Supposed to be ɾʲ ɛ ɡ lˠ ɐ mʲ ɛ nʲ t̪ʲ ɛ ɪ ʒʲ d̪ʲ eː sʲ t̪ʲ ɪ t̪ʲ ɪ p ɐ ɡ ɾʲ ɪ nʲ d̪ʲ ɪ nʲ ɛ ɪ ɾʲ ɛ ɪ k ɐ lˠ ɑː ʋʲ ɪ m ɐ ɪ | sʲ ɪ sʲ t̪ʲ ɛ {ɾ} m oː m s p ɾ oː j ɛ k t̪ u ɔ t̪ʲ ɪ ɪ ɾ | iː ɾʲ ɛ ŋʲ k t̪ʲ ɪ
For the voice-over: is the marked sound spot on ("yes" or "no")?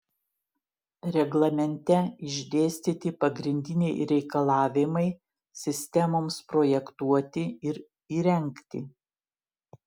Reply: no